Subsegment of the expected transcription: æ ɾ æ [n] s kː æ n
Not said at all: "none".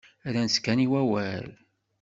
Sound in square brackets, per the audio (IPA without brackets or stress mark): n